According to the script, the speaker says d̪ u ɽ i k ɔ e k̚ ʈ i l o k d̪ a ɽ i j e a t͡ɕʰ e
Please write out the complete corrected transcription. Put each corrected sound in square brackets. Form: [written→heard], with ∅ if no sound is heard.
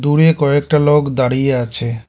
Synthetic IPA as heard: d̪ u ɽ [i→e] k ɔ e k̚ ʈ [i→a] l o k d̪ a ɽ i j e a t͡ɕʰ e